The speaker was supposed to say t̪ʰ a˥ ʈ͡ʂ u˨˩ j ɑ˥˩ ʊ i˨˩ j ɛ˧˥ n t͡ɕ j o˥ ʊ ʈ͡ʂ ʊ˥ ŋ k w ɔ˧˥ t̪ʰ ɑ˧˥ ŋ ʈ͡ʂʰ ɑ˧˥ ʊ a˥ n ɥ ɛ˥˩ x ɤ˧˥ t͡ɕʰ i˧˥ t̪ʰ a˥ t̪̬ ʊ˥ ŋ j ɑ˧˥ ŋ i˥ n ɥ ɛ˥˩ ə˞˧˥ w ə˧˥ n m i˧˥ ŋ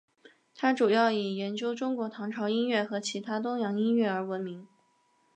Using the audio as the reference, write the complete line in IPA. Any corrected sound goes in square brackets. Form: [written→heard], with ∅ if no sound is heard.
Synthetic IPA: t̪ʰ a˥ ʈ͡ʂ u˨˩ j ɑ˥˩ ʊ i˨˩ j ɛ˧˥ n t͡ɕ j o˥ ʊ ʈ͡ʂ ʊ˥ ŋ k w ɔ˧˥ t̪ʰ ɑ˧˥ ŋ ʈ͡ʂʰ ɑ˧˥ ʊ [a˥→i˥] n ɥ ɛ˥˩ x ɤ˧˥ t͡ɕʰ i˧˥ t̪ʰ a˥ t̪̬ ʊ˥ ŋ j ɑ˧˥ ŋ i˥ n ɥ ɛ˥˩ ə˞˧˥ w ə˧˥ n m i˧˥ ŋ

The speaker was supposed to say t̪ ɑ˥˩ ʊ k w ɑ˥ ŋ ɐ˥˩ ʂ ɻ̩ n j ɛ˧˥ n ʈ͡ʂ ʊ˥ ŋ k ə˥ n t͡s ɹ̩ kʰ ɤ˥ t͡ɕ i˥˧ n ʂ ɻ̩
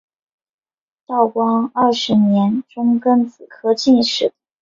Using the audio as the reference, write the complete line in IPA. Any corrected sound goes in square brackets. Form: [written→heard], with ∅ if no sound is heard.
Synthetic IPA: t̪ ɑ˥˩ ʊ k w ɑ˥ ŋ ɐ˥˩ ʂ ɻ̩ n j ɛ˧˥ n ʈ͡ʂ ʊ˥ ŋ k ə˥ n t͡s ɹ̩ kʰ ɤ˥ t͡ɕ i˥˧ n ʂ ɻ̩

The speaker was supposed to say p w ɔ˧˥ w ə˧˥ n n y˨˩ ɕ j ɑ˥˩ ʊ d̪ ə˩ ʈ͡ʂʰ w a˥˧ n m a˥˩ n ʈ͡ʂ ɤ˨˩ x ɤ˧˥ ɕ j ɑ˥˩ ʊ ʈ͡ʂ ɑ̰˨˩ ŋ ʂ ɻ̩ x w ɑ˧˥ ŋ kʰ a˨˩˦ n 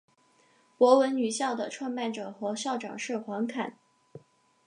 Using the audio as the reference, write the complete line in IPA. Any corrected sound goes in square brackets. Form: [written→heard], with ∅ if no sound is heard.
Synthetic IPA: p w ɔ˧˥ w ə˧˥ n n y˨˩ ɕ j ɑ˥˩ ʊ d̪ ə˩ ʈ͡ʂʰ w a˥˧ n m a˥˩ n ʈ͡ʂ ɤ˨˩ x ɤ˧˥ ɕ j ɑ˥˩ ʊ ʈ͡ʂ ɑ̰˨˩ ŋ ʂ ɻ̩ x w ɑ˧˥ ŋ kʰ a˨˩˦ n

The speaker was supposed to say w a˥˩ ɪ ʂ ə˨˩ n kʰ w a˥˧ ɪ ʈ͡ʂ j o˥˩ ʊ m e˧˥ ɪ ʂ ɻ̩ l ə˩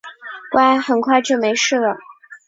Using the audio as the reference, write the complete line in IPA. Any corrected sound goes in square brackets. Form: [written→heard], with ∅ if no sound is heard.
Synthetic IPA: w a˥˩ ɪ [ʂ→x] ə˨˩ n kʰ w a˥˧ ɪ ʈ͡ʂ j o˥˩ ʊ m e˧˥ ɪ ʂ ɻ̩ l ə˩

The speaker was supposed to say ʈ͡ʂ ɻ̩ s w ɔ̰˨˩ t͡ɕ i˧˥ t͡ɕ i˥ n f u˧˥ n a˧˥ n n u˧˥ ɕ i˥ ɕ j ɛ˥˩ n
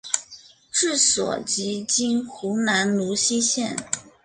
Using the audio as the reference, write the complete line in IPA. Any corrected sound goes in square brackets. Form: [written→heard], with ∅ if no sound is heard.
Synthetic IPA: ʈ͡ʂ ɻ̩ s w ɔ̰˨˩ t͡ɕ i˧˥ t͡ɕ i˥ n [f→x] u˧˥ n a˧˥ n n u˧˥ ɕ i˥ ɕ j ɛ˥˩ n

